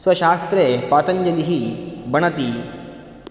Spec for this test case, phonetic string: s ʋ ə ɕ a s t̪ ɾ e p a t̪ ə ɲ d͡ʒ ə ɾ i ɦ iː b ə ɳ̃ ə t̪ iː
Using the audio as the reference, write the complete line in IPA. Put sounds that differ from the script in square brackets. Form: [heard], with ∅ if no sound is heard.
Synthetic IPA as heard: s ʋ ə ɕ a s t̪ ɾ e p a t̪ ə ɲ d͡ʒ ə [l] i ɦ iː b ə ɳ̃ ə t̪ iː